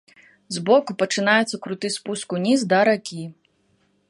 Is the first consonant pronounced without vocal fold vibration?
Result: no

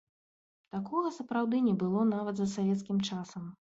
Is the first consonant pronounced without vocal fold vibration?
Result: yes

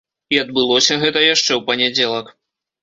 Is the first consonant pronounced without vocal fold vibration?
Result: no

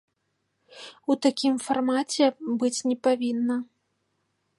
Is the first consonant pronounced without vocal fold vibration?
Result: yes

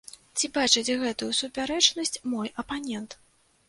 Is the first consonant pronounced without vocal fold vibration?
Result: yes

